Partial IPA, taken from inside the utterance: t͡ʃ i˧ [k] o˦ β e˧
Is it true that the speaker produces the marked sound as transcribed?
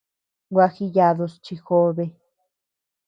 no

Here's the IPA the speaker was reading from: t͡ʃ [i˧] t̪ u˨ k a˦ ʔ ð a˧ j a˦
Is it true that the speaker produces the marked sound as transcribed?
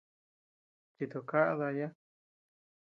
yes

